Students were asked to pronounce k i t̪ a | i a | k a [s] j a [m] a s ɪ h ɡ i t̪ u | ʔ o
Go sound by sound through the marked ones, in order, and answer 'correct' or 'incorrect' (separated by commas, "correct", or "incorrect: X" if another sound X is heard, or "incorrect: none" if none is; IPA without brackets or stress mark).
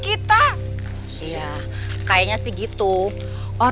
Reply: incorrect: none, incorrect: ɲ